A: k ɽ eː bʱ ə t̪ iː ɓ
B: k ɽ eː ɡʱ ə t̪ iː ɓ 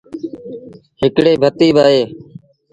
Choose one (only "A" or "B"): A